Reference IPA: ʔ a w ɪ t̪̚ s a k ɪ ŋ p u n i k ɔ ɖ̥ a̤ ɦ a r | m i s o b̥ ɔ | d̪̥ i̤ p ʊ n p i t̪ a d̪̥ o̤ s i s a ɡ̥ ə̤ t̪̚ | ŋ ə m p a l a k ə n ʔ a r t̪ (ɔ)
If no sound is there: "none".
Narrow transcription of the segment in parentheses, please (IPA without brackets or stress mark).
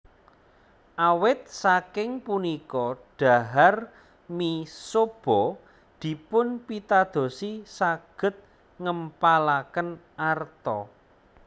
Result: ɔ